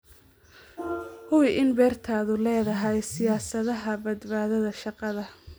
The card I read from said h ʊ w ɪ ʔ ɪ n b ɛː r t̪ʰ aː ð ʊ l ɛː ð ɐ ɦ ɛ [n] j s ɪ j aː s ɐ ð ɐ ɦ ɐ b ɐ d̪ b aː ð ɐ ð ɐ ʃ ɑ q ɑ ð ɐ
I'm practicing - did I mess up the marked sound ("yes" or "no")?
yes